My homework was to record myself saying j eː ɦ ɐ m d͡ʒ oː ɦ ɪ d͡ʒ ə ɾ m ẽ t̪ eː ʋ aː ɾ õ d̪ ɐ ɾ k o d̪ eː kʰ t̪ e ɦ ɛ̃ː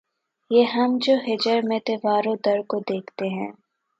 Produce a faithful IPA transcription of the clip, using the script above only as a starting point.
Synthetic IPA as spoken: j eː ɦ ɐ m d͡ʒ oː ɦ ɪ d͡ʒ ə ɾ m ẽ t̪ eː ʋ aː ɾ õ d̪ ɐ ɾ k o d̪ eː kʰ t̪ e ɦ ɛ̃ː